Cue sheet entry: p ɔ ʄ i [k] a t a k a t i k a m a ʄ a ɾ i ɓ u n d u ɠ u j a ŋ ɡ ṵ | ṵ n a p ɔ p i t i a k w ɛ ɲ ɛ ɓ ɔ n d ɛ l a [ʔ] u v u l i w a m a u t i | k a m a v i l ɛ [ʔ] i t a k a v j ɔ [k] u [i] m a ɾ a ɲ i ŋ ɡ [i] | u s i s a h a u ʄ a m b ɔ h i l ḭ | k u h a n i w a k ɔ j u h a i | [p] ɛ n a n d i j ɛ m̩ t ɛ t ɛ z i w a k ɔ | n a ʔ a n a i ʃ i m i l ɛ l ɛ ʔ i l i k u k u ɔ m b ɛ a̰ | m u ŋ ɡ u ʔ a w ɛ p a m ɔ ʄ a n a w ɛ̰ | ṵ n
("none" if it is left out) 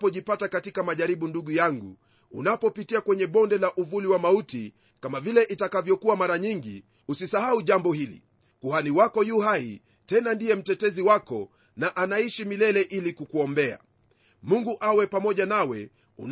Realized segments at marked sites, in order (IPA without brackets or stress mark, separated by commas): p, ʔ, ʔ, k, a, i, t